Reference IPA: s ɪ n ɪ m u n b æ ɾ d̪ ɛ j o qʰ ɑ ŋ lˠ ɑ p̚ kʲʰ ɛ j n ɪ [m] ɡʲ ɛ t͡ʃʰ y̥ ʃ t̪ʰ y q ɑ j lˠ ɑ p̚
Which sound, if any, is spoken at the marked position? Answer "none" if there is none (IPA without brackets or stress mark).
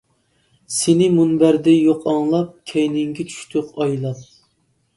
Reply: ŋ